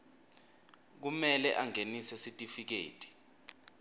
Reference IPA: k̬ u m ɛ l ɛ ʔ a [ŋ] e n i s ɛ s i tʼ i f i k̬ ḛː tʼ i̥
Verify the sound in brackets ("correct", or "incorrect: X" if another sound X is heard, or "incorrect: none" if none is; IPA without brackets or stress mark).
correct